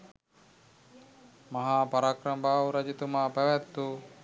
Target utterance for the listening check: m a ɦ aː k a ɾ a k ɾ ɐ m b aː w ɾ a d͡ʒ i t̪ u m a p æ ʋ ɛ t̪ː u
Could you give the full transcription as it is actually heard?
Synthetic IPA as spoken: m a ɦ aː p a ɾ a k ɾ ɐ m b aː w ɾ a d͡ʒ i t̪ u m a p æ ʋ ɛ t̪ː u